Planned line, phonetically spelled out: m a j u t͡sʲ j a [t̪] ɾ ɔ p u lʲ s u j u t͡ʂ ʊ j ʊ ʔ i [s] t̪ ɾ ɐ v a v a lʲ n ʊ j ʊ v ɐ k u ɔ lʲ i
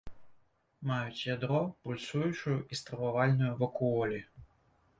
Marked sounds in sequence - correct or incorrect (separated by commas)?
incorrect, correct